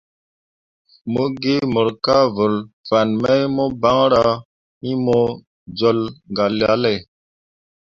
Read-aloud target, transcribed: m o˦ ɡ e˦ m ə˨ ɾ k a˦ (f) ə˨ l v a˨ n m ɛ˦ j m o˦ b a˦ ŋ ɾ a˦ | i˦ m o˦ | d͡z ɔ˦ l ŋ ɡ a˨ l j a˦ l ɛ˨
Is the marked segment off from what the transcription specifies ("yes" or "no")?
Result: yes